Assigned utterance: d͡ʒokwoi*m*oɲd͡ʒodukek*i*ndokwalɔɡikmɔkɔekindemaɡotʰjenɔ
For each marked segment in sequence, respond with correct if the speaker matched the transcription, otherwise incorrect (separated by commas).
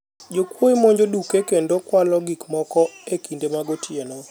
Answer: correct, incorrect